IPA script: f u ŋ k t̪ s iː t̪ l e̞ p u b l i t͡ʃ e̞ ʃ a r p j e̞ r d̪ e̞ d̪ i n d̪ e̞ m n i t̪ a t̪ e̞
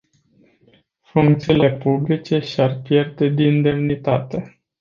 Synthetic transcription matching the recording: f u ŋ k t̪ s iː l e̞ p u b l i t͡ʃ e̞ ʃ a r p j e̞ r d̪ e̞ d̪ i n d̪ e̞ m n i t̪ a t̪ e̞